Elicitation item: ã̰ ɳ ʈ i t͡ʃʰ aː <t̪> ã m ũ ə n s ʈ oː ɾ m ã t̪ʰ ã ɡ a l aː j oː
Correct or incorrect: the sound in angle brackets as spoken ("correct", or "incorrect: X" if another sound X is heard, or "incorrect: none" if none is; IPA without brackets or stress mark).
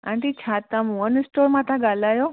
correct